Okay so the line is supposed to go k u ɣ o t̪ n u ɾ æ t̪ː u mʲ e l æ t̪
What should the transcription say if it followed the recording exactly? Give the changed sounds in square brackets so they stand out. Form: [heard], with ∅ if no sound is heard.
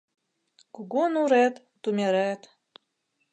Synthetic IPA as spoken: k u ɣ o [∅] n u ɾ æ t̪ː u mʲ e [ɾ] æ t̪